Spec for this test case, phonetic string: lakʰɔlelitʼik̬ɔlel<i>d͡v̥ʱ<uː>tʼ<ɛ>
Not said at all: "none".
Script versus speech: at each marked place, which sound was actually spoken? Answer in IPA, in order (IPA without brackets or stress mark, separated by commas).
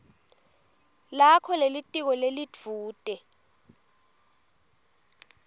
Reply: i, uː, ɛ